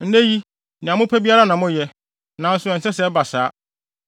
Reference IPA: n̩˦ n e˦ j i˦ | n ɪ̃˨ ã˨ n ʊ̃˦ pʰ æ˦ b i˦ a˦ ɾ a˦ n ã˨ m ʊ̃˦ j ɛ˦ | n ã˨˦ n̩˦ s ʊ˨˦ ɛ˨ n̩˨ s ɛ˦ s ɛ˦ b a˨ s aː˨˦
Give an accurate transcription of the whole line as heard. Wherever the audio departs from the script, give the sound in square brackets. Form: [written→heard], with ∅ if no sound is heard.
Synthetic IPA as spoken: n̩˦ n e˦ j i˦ | n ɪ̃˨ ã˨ [n→m] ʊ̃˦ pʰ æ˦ b i˦ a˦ ɾ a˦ n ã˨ m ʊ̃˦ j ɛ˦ | n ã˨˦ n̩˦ s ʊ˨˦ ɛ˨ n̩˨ s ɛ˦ s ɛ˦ b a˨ s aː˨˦